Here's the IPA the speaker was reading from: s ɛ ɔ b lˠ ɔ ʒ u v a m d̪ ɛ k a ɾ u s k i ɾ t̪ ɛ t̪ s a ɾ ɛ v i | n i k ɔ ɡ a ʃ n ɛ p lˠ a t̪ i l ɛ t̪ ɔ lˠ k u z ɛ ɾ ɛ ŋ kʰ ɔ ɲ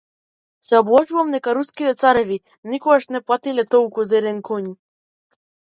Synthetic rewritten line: s ɛ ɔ b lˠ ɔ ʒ u v a m d̪ ɛ k a ɾ u s k i t̪ ɛ t̪ s a ɾ ɛ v i | n i k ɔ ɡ a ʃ n ɛ p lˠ a t̪ i l ɛ t̪ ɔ lˠ k u z ɛ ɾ ɛ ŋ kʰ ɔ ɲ